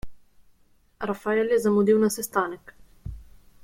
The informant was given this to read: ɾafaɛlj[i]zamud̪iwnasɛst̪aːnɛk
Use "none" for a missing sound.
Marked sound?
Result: ɛ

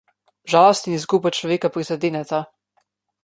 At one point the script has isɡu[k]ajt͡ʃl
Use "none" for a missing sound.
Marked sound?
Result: p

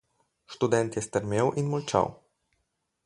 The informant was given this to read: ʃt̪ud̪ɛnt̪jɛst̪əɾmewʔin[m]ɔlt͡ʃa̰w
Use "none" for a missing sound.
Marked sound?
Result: m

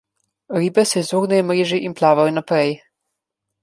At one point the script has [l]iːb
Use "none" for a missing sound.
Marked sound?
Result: ɾ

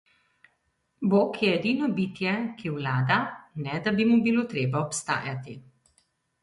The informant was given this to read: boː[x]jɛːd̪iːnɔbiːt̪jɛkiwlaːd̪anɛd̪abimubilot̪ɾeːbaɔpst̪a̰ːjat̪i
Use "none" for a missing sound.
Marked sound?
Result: k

